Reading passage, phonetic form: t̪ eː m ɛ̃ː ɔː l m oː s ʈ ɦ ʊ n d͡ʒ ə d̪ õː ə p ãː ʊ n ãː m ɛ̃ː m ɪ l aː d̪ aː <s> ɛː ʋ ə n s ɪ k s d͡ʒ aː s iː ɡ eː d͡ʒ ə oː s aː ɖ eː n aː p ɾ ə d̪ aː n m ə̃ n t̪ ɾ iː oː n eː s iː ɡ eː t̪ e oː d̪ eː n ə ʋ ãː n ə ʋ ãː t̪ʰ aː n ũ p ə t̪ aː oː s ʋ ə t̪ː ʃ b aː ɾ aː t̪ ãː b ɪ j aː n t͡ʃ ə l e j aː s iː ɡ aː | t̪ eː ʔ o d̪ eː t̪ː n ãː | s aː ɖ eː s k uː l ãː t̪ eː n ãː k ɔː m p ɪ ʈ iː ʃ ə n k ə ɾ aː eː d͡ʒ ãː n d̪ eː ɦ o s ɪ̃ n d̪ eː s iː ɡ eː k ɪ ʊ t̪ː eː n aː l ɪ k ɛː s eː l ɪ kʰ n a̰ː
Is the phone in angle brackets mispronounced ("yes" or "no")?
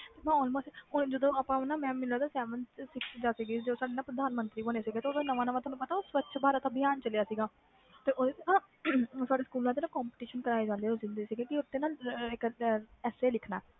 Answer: no